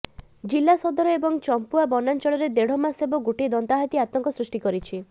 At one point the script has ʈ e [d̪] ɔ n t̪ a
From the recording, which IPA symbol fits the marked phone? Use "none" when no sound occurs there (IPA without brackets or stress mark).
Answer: d̪